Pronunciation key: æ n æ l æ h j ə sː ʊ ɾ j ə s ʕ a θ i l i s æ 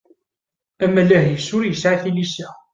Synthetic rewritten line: æ m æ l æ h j ə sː ʊ ɾ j ə s ʕ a θ i l i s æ